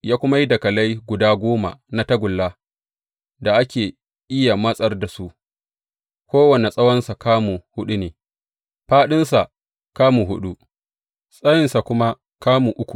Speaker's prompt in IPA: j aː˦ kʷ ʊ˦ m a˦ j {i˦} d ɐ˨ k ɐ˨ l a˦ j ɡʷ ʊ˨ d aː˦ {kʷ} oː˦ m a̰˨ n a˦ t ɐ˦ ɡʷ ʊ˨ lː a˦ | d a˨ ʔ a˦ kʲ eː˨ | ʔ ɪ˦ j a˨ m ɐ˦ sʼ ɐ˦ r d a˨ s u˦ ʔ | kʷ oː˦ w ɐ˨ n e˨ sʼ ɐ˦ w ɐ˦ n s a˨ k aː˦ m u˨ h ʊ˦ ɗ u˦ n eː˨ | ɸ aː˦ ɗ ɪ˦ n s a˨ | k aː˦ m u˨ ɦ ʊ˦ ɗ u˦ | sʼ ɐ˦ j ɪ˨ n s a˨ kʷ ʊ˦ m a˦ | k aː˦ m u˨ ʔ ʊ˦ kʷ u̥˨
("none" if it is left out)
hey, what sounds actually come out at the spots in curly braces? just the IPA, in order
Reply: i˦, ɡʷ

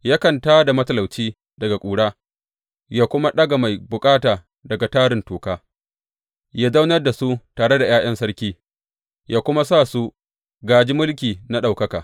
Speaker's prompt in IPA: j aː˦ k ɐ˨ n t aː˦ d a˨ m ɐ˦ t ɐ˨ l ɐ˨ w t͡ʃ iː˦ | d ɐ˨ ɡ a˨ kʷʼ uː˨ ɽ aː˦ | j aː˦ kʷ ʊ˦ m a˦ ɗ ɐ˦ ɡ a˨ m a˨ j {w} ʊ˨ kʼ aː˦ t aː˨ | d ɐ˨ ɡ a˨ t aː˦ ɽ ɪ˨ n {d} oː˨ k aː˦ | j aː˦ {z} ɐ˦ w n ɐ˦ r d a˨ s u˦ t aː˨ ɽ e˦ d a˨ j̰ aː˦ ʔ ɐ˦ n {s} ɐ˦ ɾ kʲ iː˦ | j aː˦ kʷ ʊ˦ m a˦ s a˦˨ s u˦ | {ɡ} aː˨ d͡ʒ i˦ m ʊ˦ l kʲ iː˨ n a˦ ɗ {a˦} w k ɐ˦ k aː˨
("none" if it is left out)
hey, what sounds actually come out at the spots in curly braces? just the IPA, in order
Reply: b, t, z, s, ɡ, a˨

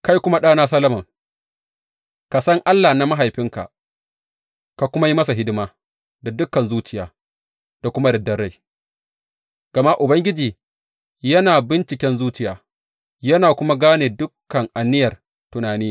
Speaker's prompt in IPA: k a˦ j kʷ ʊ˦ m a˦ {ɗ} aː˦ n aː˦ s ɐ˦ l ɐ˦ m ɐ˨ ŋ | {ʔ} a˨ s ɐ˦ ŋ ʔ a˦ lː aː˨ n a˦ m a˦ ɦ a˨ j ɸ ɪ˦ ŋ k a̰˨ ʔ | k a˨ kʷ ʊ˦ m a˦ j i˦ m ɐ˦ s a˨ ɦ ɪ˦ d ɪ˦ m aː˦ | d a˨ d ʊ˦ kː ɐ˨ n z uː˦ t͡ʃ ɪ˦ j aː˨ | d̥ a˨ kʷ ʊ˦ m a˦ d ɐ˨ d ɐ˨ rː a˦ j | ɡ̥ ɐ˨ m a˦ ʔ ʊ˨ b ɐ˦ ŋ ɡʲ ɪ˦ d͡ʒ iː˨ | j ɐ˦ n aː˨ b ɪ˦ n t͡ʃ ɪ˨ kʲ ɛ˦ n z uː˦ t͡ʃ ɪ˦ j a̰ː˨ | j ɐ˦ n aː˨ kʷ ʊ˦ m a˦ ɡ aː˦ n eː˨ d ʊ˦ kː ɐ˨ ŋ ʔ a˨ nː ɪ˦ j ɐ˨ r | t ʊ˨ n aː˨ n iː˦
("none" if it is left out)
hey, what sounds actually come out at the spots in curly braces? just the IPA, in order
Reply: ɗ, k

